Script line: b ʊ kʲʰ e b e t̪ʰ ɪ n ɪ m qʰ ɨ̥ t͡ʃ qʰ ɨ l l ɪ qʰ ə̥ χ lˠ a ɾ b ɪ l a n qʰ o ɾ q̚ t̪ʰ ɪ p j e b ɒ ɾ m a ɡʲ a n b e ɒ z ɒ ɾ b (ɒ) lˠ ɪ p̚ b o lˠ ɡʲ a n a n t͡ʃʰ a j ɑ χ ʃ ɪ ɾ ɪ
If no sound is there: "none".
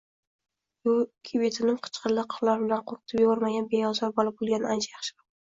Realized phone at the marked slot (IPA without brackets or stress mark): ɒ